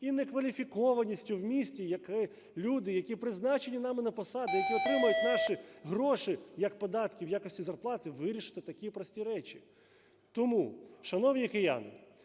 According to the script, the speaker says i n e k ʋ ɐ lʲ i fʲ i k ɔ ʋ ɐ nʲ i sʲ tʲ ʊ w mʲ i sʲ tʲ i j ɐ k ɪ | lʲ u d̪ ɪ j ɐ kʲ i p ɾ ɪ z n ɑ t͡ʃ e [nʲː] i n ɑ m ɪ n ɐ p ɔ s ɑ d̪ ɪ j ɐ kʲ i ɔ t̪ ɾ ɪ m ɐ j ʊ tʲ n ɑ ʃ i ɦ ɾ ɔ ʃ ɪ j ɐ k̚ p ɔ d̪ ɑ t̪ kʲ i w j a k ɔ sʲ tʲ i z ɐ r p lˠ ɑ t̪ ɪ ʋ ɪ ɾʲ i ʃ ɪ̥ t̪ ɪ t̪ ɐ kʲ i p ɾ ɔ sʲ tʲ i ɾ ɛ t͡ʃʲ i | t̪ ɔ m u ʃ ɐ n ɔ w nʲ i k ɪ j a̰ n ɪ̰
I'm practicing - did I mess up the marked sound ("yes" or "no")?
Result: yes